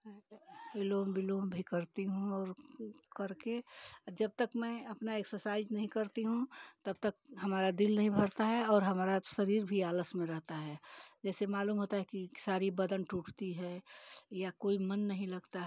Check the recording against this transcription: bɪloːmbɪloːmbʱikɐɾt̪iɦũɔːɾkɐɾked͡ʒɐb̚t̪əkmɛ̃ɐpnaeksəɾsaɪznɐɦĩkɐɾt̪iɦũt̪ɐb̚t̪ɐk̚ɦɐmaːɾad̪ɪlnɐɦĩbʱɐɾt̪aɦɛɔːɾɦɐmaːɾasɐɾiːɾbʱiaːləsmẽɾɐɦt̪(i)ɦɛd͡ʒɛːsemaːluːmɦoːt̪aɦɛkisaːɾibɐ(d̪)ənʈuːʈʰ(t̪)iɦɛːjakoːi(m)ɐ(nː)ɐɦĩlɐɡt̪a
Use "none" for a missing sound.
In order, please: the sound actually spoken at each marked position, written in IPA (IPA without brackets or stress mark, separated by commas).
a, d̪, t̪, m, nː